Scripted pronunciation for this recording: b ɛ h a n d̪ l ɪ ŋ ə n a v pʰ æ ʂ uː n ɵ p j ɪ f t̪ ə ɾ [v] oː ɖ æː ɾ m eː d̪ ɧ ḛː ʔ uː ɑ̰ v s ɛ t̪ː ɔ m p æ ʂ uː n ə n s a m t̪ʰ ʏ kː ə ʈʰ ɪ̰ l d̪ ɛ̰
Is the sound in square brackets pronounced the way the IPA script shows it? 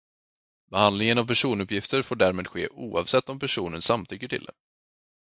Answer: no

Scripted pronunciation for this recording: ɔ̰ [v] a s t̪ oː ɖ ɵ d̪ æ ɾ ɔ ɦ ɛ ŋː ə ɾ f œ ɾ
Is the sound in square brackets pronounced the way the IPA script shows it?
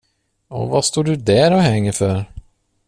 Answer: yes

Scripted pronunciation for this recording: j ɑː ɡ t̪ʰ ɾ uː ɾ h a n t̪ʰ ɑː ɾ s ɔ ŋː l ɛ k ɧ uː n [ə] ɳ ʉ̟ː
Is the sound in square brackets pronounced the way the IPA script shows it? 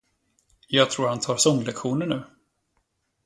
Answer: yes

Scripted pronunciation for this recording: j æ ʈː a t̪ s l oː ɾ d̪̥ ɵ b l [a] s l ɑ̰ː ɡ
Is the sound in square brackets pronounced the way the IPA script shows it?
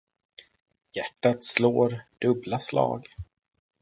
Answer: yes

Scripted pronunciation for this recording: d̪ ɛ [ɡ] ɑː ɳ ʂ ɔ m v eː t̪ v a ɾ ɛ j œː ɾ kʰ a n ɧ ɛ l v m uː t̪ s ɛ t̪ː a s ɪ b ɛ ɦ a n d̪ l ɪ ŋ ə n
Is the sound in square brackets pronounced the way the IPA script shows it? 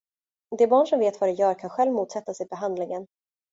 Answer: no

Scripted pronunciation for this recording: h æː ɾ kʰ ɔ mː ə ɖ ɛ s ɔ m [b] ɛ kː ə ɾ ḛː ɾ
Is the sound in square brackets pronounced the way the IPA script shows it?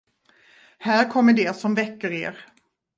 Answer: no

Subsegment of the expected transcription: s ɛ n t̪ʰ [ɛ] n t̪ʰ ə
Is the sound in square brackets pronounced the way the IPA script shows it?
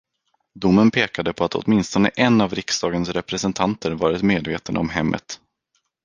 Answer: no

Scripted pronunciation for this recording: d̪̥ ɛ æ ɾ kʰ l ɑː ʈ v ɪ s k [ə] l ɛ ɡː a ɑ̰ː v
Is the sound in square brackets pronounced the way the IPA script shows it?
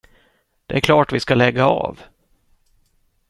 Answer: no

